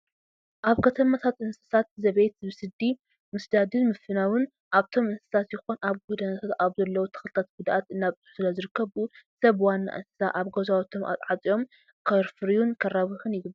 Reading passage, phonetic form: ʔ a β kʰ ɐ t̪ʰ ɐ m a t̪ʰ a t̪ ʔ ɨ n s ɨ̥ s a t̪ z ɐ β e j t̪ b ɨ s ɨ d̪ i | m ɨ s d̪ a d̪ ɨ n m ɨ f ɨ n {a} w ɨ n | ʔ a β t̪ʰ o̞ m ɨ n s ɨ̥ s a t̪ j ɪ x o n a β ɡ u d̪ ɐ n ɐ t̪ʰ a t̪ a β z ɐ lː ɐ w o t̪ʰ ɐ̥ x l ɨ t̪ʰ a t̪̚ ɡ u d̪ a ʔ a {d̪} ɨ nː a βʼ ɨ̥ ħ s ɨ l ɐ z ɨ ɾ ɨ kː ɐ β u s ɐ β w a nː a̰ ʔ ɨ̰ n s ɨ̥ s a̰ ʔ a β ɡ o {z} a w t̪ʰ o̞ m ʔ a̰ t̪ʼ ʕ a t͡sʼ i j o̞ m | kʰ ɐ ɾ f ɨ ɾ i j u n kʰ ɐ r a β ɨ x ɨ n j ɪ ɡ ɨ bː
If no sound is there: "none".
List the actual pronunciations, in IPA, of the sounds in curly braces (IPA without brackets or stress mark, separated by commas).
a, t̪, z